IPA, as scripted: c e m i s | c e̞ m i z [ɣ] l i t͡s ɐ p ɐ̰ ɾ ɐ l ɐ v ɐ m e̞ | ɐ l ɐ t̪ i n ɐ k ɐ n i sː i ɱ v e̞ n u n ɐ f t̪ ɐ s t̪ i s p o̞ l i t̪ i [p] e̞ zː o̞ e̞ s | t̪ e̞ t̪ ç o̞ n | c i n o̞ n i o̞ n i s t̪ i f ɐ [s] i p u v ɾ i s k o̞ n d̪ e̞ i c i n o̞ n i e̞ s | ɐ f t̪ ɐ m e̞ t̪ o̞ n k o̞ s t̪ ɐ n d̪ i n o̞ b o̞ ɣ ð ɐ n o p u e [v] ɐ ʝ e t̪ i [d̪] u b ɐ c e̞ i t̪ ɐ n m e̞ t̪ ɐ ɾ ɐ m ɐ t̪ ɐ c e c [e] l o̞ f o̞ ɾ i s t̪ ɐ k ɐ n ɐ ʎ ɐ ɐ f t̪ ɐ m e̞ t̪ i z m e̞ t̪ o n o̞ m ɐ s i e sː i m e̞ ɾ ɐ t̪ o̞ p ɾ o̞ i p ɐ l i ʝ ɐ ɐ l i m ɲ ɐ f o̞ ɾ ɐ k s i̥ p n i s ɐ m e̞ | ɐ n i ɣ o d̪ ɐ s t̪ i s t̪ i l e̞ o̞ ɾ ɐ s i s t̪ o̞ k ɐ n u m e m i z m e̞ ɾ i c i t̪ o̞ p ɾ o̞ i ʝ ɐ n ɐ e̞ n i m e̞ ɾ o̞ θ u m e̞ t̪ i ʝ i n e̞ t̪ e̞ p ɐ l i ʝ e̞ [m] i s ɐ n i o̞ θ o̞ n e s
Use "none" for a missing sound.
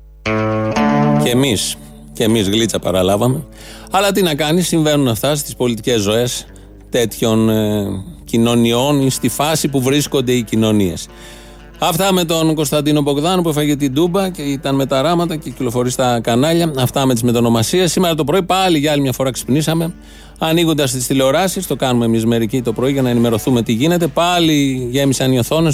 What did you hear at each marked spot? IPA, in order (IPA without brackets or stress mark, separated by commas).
ɣ, c, s, f, d̪, i, m